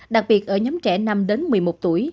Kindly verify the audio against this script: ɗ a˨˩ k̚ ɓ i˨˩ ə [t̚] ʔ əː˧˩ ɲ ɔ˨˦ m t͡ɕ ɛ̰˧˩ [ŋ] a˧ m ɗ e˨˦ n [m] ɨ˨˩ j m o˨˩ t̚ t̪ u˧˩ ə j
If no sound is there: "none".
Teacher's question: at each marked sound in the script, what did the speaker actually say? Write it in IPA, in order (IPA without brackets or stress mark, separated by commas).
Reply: t̚, n, m